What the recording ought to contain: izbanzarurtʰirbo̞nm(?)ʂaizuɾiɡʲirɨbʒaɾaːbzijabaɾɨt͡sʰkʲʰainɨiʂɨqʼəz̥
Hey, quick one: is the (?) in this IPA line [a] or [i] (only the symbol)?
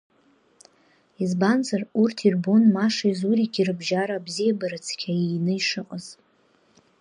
a